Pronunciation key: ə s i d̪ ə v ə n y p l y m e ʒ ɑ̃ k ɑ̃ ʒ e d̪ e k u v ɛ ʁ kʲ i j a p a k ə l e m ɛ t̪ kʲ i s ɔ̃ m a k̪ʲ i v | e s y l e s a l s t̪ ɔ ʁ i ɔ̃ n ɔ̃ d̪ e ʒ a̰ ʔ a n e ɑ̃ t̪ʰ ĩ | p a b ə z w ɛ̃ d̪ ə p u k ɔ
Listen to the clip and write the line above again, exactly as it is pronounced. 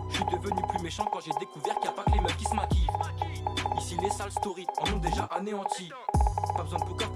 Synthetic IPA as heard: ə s i d̪ ə v ə n y p l y m e ʃ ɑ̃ k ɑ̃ ʒ e d̪ e k u v ɛ ʁ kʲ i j a p a k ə l e m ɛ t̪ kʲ i s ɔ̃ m a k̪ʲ i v | i s i l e s a l s t̪ ɔ ʁ i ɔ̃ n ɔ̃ d̪ e ʒ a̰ ʔ a n e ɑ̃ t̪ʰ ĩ | p a b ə z w ɛ̃ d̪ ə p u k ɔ